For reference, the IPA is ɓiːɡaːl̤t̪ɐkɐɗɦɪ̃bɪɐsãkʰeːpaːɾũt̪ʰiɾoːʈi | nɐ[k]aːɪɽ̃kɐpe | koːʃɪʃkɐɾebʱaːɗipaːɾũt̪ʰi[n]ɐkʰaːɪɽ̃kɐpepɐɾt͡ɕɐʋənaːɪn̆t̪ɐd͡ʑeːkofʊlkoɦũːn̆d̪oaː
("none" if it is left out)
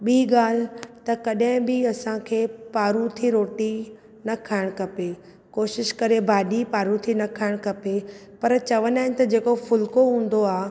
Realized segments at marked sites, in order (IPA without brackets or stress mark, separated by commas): kʰ, n